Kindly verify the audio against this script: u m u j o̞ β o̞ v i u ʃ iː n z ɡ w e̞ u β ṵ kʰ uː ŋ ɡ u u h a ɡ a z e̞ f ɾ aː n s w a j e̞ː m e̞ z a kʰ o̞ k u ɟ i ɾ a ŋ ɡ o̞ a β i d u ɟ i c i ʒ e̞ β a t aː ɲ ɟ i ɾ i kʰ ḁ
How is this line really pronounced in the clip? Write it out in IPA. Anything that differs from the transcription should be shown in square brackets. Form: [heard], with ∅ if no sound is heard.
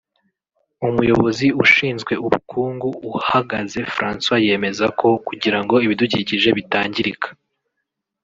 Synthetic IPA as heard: u m u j o̞ β o̞ [z] i u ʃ iː n z ɡ w e̞ u β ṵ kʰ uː ŋ ɡ u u h a ɡ a z e̞ f ɾ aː n s w a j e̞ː m e̞ z a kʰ o̞ k u ɟ i ɾ a ŋ ɡ o̞ [i] β i d u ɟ i c i ʒ e̞ β [i] t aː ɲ ɟ i ɾ i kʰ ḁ